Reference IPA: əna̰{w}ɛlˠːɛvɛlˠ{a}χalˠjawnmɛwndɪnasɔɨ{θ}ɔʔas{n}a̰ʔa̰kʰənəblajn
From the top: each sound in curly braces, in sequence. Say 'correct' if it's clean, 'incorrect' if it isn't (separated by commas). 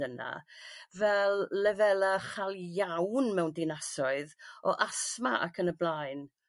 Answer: incorrect, correct, incorrect, incorrect